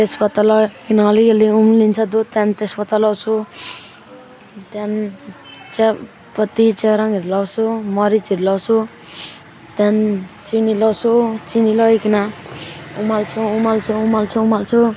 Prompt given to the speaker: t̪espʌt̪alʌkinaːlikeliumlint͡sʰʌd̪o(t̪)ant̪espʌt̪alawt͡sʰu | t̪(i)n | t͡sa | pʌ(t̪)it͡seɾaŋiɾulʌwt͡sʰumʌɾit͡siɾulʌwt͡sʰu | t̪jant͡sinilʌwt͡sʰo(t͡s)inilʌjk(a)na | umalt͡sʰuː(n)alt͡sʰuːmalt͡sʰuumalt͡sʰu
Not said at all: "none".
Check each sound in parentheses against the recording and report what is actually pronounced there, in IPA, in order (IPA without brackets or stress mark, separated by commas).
t̪, a, t̪, t͡s, i, m